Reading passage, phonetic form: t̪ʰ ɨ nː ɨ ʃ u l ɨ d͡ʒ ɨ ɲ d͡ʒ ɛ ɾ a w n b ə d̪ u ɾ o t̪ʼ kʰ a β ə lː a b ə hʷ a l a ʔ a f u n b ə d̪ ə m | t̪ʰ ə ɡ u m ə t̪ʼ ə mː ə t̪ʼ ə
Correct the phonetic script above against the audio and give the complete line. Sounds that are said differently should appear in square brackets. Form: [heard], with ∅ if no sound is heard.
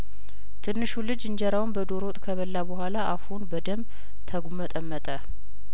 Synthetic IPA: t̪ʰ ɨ nː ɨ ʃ u l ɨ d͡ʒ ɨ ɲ d͡ʒ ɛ ɾ a w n b ə d̪ [o] ɾ o t̪ʼ kʰ [ə] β ə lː a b ə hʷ a l a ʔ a f u n b ə d̪ ə m | t̪ʰ ə ɡ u m ə t̪ʼ ə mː ə t̪ʼ ə